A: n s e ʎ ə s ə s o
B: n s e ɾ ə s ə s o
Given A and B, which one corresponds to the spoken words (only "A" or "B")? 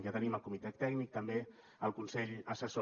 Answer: A